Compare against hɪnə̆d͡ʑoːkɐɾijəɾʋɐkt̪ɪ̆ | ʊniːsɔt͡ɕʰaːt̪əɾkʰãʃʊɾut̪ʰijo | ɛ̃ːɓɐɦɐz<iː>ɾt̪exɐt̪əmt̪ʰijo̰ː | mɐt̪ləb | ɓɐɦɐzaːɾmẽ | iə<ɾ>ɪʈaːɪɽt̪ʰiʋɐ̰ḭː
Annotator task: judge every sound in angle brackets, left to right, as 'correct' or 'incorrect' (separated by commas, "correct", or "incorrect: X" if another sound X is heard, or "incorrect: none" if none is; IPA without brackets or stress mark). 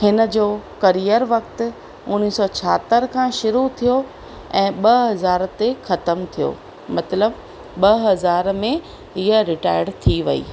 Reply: incorrect: aː, correct